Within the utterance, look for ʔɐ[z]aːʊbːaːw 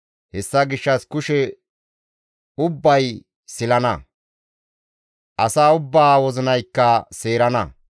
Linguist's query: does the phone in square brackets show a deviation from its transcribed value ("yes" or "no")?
yes